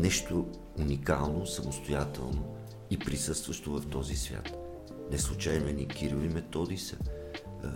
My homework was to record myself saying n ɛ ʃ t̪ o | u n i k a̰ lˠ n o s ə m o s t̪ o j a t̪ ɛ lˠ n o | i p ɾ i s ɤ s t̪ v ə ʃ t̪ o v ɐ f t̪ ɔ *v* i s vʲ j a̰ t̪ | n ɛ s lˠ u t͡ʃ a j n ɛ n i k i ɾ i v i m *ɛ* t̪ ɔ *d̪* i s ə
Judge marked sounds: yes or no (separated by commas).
no, yes, yes